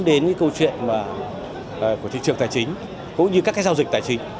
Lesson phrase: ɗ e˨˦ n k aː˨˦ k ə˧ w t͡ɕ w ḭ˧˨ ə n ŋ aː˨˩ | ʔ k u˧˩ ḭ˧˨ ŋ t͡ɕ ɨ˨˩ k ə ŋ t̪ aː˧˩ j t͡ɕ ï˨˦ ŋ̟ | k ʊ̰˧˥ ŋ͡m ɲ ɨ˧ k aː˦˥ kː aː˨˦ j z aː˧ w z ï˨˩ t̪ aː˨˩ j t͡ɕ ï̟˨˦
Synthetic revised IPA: ɗ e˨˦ n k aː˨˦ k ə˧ w t͡ɕ w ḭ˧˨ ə n m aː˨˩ | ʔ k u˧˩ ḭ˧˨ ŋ t͡ɕ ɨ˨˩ ə ŋ t̪ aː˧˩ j t͡ɕ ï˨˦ ŋ̟ | k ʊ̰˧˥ ŋ͡m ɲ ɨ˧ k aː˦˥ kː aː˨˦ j z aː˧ w z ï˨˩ t̪ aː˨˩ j t͡ɕ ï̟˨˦